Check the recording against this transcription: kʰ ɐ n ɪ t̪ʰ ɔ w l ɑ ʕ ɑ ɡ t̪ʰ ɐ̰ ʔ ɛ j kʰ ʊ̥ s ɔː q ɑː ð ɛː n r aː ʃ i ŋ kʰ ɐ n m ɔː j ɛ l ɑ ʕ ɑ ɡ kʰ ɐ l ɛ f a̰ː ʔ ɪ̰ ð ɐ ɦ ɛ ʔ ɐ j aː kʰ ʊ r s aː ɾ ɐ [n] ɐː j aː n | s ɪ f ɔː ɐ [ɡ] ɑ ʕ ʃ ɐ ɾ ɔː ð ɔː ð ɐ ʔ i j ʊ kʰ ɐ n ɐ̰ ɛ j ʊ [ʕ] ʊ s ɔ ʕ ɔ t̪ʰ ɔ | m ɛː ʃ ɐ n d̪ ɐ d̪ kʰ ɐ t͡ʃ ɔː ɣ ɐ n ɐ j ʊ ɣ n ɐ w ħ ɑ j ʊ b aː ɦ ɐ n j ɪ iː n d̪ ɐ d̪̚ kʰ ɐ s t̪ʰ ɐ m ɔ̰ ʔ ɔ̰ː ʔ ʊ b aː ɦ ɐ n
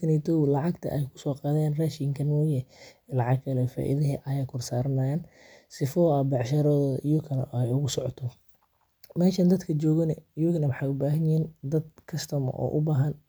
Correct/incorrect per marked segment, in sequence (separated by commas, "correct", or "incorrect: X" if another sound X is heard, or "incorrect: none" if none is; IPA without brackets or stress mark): correct, incorrect: b, incorrect: ɣ